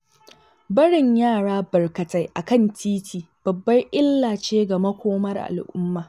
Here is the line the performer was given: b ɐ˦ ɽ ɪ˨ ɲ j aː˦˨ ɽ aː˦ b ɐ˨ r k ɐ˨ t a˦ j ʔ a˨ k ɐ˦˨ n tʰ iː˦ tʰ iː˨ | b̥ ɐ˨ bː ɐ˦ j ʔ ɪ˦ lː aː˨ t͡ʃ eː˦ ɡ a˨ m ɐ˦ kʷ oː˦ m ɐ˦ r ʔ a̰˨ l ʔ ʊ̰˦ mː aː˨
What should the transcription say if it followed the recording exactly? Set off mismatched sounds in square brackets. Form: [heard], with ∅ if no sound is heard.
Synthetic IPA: b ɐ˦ ɽ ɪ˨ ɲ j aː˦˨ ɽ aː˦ b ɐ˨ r k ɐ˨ t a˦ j ʔ a˨ k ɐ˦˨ n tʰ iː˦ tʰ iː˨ | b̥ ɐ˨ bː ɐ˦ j ʔ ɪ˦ lː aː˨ t͡ʃ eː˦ ɡ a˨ m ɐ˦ kʷ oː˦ m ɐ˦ r ʔ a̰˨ l ʔ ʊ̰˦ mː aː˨